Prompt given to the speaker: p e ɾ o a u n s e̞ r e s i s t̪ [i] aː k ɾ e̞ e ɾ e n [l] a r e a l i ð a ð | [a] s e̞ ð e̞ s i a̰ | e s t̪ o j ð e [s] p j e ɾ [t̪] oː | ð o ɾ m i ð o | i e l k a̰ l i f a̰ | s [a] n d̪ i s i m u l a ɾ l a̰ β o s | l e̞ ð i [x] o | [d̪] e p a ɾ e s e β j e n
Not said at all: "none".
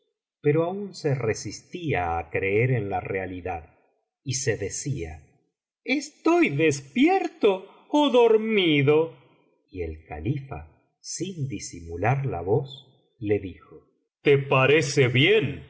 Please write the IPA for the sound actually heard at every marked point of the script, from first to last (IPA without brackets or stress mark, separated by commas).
i, l, i, s, t̪, i, x, t̪